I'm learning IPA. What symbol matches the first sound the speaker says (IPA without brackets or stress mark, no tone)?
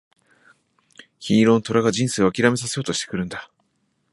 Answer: ç